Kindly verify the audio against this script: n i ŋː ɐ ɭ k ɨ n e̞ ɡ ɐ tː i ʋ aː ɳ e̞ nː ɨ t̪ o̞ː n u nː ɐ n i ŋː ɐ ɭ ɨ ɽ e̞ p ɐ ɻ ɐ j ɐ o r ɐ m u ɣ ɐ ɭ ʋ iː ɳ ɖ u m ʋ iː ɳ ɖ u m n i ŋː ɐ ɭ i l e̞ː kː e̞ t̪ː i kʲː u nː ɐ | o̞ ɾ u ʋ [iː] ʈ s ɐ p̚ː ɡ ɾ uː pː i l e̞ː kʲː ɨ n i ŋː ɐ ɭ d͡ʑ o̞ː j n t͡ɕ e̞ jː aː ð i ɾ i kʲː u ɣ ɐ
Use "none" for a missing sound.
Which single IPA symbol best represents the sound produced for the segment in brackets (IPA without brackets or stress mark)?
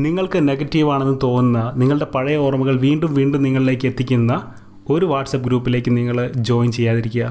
aː